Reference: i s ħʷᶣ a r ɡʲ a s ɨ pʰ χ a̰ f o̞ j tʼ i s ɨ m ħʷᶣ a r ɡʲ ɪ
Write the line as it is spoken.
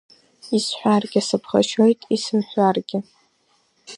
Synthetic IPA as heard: i s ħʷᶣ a r ɡʲ a s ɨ pʰ χ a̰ ʃ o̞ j tʼ i s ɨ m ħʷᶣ a r ɡʲ ɪ

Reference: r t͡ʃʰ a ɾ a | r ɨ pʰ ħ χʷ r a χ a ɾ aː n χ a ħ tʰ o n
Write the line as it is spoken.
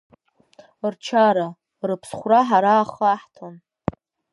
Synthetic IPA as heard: r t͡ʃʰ a ɾ a | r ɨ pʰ s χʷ r a ħ a ɾ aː χ a ħ tʰ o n

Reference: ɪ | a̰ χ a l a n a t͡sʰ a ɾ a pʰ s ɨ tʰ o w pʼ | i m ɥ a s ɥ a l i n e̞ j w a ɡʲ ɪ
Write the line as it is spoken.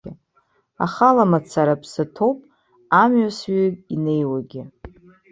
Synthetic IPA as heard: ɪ | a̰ χ a l a m a t͡sʰ a ɾ a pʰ s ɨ tʰ o w pʼ | a m ɥ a s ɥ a i n e̞ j w a ɡʲ ɪ

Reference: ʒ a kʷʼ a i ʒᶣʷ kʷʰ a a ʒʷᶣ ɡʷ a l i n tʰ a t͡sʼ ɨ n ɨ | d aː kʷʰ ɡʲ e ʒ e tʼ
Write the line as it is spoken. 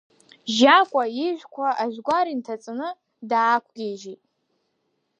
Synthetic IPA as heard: ʒ a kʷʼ a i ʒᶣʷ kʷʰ a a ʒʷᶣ ɡʷ a ɾ i n tʰ a t͡sʼ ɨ n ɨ | d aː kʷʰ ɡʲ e ʒ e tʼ

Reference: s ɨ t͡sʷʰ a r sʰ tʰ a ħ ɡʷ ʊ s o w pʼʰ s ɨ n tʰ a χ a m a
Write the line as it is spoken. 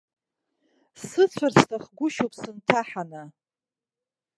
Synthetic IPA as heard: s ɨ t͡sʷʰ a r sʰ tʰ a χ ɡʷ ʊ ʃ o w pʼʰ s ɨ n tʰ a ħ a n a

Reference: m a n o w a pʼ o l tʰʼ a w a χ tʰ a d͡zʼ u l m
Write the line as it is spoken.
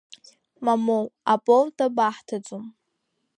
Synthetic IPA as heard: m a m o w a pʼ o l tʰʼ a b a ħ tʰ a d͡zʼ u m

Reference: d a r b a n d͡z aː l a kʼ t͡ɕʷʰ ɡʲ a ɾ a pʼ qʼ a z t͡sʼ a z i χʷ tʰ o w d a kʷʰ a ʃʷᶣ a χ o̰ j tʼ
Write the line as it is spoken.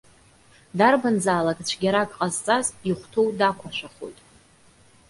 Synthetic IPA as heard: d a r b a n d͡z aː l a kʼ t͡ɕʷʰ ɡʲ a ɾ a kʼ qʼ a z t͡sʼ a z i χʷ tʰ o w d a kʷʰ a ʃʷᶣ a χ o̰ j tʼ

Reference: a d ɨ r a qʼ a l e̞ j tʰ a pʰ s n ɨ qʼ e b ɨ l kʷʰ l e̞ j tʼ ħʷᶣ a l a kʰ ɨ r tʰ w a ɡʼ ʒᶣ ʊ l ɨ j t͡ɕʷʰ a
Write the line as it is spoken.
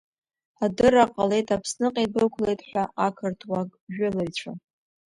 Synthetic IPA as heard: a d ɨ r a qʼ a l e̞ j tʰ a pʰ s n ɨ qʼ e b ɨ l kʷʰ l e̞ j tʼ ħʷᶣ a a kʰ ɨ r tʰ w a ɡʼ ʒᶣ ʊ l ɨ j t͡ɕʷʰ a

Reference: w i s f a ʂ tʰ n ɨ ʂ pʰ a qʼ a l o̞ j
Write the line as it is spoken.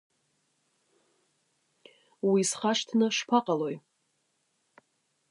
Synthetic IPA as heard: w i s χ a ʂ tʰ n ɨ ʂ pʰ a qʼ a l o̞ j

